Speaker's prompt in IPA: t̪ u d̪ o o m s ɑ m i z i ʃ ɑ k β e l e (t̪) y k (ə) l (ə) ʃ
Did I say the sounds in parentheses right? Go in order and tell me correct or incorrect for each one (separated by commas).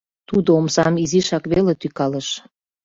correct, incorrect, correct